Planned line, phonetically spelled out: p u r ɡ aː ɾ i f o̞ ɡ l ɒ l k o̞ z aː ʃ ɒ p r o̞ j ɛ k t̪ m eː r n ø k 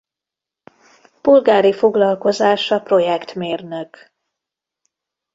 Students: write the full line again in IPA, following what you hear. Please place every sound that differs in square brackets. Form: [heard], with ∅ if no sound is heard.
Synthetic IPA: p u [l] ɡ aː ɾ i f o̞ ɡ l ɒ l k o̞ z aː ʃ ɒ p r o̞ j ɛ k t̪ m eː r n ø k